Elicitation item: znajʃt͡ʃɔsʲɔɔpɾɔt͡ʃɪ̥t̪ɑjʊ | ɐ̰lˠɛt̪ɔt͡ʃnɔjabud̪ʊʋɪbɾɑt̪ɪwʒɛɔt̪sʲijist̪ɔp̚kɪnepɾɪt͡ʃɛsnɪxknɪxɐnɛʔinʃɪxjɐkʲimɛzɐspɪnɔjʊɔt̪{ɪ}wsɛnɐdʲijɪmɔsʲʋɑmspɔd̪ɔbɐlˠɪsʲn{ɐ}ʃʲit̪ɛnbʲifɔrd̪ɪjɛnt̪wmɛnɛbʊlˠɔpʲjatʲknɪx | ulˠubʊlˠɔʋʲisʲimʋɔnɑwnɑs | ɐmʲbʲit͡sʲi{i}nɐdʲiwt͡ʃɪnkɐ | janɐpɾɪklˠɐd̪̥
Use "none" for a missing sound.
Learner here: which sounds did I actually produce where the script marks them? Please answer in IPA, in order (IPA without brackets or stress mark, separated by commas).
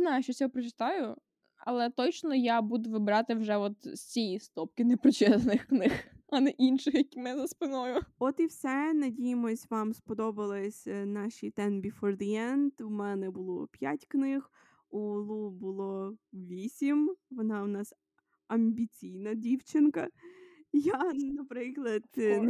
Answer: i, ɑ, j